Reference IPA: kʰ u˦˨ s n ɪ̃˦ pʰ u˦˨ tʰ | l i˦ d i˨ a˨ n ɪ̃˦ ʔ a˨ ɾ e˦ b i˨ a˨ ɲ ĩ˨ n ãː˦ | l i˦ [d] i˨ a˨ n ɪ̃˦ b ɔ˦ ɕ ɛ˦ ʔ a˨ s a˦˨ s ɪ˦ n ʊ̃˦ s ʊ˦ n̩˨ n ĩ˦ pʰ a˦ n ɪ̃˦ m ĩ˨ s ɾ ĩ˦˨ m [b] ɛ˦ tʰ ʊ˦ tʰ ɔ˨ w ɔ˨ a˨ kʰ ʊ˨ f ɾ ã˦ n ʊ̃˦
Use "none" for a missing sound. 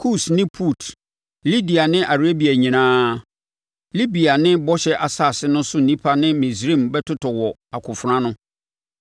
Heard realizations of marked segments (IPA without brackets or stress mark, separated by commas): b, b